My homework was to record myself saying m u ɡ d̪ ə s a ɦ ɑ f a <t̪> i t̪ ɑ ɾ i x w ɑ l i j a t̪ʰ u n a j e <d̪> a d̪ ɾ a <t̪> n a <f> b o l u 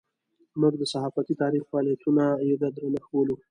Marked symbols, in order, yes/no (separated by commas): yes, yes, no, no